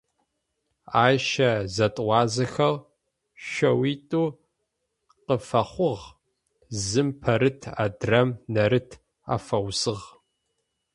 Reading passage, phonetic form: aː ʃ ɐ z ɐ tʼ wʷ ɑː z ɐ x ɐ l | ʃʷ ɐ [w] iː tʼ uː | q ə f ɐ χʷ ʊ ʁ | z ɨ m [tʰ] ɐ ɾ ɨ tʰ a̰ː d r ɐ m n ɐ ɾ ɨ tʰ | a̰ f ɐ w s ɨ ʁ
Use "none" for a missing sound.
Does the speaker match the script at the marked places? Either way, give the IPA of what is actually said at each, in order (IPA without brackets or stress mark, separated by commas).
w, pʰ